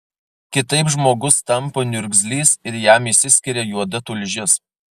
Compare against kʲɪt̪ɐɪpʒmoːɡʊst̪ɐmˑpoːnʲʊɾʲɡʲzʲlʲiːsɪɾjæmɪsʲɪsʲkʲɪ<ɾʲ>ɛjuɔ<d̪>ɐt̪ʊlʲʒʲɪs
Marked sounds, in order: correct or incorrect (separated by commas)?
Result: correct, correct